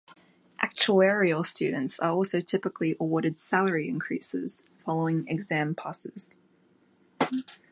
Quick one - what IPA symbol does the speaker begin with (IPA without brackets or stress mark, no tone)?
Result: ʔ